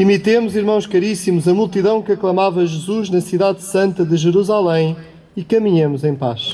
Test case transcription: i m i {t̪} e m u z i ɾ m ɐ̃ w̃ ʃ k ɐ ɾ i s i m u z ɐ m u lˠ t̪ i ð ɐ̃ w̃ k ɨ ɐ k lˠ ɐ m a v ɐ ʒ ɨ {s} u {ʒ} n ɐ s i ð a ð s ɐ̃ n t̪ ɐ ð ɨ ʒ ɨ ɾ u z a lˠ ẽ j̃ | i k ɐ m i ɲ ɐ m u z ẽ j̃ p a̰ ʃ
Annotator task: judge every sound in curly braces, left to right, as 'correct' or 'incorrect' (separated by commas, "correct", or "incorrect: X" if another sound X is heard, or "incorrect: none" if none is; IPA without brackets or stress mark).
correct, incorrect: z, correct